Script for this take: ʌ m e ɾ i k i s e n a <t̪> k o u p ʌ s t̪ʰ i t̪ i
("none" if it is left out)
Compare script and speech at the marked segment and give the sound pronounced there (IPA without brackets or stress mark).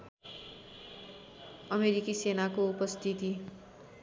none